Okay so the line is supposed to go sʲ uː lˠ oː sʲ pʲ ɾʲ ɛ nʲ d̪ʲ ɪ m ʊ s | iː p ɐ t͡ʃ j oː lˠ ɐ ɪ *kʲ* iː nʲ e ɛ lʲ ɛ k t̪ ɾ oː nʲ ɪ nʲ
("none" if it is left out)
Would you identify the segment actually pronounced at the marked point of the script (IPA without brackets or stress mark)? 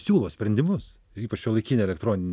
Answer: kʲ